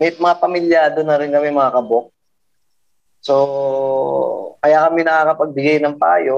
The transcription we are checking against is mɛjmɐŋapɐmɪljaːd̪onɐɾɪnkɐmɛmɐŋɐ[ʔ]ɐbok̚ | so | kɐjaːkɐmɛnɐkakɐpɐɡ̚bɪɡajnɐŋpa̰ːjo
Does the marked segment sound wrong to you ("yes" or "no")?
yes